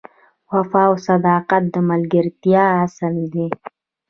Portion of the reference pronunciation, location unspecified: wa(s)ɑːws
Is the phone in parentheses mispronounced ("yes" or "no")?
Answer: yes